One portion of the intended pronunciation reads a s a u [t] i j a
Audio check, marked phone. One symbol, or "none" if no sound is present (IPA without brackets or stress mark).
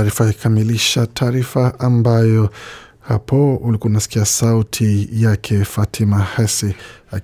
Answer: tʰ